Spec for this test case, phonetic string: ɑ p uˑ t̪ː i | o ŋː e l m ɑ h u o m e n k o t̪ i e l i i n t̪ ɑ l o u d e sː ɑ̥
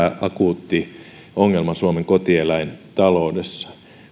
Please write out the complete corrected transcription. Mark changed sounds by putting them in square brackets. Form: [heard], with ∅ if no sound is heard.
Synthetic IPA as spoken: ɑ [k] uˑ t̪ː i | o ŋː e l m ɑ [s] u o m e [ŋ] k o t̪ i e l [æ] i n t̪ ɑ l o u d e sː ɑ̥